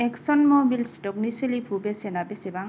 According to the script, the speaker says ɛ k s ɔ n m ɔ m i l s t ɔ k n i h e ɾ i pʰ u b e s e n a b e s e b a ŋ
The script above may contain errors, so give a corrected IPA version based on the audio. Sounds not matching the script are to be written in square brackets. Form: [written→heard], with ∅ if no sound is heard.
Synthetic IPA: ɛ k s ɔ n m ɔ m i l s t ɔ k n i [h→s] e [ɾ→l] i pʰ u b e s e n a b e s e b a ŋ